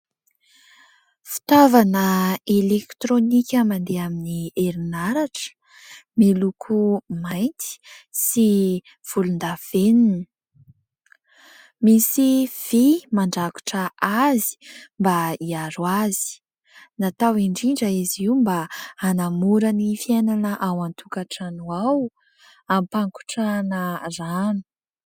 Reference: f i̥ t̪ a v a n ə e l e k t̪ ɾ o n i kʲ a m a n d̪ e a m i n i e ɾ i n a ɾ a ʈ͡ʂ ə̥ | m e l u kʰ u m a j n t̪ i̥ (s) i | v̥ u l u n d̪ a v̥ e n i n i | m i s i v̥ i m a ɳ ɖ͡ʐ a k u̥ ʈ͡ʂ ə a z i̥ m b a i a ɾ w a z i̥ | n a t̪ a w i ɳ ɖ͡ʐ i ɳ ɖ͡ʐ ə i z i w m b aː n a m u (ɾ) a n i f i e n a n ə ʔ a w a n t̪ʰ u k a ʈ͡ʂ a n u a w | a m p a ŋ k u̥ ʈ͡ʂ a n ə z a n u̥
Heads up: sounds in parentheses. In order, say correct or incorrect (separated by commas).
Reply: correct, correct